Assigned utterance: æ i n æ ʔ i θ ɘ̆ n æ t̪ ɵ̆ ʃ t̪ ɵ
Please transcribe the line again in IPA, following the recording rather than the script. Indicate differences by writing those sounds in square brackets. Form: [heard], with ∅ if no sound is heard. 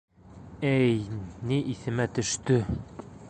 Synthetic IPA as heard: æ [j] n [i] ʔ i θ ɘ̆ [m] æ t̪ ɵ̆ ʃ t̪ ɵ